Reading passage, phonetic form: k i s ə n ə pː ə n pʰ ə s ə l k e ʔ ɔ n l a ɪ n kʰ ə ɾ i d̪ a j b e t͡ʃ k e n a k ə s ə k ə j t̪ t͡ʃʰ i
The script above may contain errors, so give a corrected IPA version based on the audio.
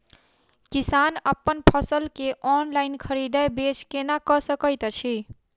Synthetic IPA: k i s a n ə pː ə n pʰ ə s ə l k e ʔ ɔ n l a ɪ n kʰ ə ɾ i d̪ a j b e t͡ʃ k e n a k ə s ə k ə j t̪ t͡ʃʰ i